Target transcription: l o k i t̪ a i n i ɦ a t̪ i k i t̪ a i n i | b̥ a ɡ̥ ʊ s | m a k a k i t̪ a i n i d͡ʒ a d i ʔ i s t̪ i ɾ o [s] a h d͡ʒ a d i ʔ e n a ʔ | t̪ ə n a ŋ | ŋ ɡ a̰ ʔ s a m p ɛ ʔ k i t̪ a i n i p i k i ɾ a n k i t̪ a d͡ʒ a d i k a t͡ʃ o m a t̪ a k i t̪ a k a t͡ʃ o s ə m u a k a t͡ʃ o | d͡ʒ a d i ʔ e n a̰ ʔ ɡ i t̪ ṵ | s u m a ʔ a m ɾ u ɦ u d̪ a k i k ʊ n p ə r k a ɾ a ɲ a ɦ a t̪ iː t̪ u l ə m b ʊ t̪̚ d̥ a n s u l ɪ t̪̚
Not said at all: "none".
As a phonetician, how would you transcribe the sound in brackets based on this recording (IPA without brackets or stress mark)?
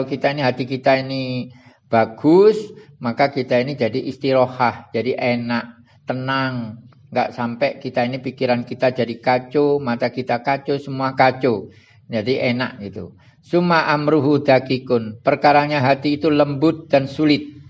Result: h